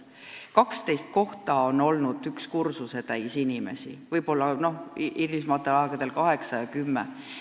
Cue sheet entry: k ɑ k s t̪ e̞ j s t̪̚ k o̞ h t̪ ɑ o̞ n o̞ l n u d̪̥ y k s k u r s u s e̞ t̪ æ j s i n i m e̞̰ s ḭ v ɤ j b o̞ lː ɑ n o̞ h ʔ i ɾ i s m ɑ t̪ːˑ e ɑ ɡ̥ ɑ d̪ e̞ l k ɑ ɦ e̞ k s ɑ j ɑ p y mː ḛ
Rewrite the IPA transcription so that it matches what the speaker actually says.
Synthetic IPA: k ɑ k s t̪ e̞ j s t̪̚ k o̞ h t̪ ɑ o̞ n o̞ l n u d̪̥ y k s k u r s u s e̞ t̪ æ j s i n i m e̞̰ s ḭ v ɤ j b o̞ lː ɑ n o̞ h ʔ i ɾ i s m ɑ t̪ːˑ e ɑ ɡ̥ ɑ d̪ e̞ l k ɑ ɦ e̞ k s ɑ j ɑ k y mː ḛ